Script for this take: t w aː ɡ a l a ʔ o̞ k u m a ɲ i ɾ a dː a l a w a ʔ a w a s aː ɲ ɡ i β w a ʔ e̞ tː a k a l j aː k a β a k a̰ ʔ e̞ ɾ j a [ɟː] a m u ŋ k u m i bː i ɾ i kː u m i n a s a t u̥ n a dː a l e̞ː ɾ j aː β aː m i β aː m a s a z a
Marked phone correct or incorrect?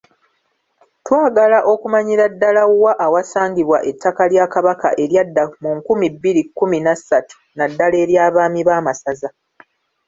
incorrect